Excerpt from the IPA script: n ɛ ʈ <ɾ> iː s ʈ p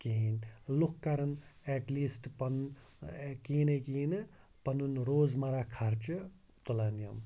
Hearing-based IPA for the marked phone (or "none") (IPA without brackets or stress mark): l